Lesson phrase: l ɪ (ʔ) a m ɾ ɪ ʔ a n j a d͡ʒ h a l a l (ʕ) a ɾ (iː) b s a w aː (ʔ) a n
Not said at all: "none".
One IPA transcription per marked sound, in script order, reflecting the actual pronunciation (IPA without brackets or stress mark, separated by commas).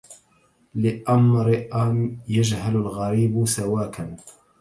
ʔ, ɣ, iː, k